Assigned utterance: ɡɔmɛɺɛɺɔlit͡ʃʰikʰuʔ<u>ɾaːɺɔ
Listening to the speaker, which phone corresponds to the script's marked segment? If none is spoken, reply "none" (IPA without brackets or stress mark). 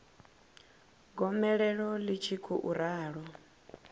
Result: u